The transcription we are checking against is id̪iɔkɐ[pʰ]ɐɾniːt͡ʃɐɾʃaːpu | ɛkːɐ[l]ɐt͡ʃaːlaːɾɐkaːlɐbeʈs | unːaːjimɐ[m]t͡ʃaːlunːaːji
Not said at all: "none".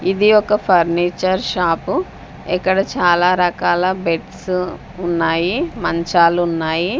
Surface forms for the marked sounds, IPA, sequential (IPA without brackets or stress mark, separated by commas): pʰ, ɽ, ɲ